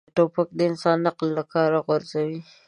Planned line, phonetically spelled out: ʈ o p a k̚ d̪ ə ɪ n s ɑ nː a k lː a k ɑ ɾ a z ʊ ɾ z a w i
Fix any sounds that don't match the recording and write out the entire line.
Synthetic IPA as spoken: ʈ o p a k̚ d̪ ə ɪ n s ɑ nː a q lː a k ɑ ɾ a ɣ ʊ ɾ z a w i